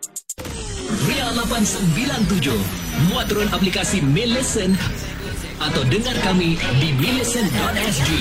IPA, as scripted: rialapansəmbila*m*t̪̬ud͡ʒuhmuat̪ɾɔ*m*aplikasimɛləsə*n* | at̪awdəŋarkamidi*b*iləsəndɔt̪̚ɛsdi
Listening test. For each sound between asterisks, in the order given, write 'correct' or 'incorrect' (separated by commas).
incorrect, incorrect, correct, incorrect